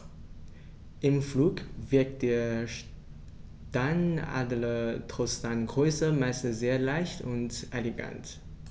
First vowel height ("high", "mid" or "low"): high